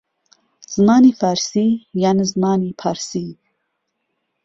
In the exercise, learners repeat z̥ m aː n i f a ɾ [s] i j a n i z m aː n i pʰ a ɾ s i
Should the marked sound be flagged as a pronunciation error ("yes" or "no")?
no